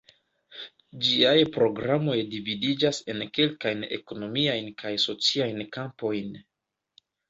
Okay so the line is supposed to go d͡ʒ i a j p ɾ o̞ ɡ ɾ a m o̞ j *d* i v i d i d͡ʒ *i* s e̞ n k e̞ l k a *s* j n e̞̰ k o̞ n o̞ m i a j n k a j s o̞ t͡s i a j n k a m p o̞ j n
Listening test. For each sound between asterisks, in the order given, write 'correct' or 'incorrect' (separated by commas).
correct, incorrect, incorrect